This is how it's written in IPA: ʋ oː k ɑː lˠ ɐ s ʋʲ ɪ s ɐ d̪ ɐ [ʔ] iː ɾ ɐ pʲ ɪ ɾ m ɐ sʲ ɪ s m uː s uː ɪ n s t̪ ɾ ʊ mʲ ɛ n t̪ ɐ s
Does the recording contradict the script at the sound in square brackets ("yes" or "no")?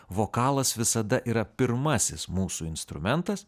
no